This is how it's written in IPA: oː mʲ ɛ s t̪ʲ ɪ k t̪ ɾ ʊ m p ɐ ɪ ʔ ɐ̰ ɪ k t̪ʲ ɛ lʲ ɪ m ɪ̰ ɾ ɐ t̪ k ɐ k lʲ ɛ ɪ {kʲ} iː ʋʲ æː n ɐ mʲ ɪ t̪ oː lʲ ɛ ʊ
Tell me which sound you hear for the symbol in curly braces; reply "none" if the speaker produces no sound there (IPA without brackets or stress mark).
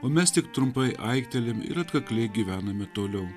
ɡʲ